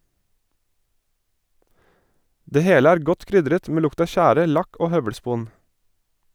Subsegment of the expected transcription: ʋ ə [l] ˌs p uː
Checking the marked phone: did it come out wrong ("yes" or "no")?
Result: yes